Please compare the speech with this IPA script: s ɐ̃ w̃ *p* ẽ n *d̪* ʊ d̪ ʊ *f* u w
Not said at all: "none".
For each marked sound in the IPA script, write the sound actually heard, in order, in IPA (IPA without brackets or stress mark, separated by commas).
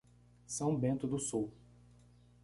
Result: b, t̪, s